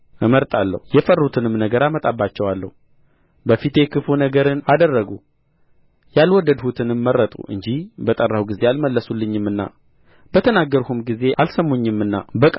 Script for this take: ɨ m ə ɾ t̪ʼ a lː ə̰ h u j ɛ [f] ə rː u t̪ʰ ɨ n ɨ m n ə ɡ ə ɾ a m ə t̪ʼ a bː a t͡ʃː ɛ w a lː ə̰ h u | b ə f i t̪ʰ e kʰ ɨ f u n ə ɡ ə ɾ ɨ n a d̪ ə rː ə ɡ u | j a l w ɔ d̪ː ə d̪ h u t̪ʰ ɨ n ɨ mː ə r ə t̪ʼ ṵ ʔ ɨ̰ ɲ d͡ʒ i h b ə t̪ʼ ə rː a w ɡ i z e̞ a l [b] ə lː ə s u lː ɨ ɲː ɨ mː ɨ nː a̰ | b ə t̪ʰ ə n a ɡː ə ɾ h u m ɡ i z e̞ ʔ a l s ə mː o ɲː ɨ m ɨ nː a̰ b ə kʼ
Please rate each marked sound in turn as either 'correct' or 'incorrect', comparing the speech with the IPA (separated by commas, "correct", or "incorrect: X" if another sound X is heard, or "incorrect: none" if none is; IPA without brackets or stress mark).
correct, incorrect: m